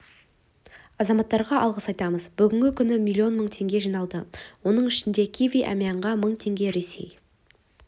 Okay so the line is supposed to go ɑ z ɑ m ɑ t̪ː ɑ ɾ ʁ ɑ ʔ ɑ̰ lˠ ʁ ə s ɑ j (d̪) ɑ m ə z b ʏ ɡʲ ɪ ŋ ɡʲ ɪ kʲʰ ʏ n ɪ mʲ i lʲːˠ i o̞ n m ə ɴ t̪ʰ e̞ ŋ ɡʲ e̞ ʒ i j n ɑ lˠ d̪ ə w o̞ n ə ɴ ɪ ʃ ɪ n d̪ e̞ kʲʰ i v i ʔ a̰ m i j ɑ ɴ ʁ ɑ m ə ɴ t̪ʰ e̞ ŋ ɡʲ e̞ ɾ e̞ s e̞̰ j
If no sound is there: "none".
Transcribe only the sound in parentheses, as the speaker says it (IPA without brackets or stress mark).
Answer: t̪